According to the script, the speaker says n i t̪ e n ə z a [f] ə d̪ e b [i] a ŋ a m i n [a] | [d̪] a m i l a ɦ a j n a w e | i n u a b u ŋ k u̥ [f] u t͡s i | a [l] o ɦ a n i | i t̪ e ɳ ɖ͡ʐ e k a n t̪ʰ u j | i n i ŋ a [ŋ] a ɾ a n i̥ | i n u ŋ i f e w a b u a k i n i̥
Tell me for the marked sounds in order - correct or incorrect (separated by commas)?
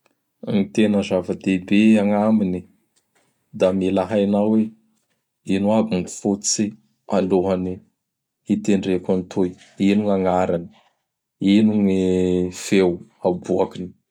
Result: incorrect, incorrect, incorrect, correct, correct, correct, correct